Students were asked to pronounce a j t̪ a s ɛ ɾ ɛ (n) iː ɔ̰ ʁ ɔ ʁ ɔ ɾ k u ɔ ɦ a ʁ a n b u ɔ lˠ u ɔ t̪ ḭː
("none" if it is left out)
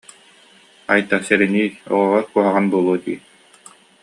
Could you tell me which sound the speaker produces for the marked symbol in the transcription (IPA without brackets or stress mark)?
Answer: n